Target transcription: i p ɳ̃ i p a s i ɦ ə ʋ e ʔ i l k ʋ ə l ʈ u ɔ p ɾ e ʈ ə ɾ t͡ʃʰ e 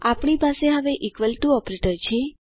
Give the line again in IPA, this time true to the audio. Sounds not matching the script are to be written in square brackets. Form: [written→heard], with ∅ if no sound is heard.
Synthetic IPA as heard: [i→a] p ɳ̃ i p a s [i→e] ɦ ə ʋ e ʔ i [l→∅] k ʋ ə l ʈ u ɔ p ɾ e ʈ ə ɾ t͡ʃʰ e